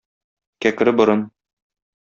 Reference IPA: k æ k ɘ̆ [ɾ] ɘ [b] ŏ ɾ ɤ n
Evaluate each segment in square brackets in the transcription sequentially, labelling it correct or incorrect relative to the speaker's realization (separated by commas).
correct, correct